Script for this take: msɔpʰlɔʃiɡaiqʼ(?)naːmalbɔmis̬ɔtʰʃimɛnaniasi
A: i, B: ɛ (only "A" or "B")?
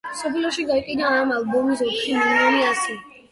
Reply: A